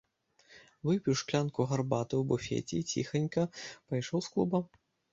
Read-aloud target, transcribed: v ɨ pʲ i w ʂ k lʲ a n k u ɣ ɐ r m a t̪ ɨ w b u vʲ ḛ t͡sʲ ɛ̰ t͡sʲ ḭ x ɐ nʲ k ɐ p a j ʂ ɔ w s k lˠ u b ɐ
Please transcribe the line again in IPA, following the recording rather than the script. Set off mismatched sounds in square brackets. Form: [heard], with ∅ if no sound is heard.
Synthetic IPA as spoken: v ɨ pʲ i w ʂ k lʲ a n k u ɣ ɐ r [b] a t̪ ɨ w b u [fʲ] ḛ t͡sʲ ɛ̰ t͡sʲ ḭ x ɐ nʲ k ɐ p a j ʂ ɔ w s k lˠ u b ɐ